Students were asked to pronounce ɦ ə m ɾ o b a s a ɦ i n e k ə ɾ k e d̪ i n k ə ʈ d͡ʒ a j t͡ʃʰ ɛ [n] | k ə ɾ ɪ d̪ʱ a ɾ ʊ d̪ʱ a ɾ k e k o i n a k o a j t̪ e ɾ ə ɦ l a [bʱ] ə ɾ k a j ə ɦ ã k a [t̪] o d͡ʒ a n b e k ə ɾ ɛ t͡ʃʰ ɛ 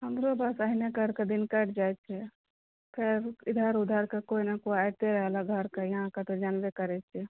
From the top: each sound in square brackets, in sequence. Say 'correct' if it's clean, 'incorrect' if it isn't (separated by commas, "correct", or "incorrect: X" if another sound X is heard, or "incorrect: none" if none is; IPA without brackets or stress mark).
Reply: incorrect: none, incorrect: ɡʱ, correct